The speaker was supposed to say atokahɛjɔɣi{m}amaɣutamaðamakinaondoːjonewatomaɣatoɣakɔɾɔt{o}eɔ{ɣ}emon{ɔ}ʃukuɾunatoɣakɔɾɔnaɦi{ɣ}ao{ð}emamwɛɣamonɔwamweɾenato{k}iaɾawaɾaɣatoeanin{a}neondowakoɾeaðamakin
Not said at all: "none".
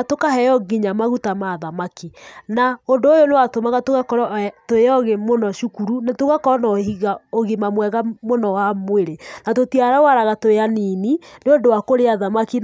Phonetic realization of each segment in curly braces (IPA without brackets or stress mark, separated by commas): ɲ, o, ɣ, ɔ, ɣ, ɣ, t, i